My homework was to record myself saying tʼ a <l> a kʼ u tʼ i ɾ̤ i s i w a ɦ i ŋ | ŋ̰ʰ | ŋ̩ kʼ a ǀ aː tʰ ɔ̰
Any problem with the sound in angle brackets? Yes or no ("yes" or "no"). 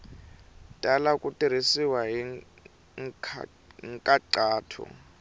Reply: no